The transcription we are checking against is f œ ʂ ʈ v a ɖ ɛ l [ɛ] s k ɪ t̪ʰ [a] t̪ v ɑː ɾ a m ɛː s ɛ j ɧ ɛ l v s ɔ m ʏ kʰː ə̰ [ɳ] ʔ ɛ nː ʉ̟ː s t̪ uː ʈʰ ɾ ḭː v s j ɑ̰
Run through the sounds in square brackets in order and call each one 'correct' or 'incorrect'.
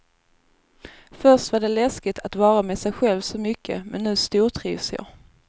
correct, correct, incorrect: m

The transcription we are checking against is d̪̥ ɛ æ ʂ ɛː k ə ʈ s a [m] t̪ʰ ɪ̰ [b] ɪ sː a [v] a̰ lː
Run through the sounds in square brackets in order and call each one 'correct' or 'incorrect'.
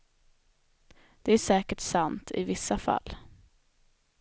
incorrect: n, incorrect: v, incorrect: f

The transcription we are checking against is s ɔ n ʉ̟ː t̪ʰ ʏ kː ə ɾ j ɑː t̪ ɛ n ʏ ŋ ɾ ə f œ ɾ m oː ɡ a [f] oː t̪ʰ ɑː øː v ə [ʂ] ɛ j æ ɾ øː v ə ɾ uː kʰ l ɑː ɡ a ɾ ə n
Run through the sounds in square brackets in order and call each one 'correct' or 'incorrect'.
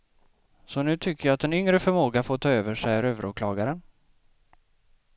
correct, correct

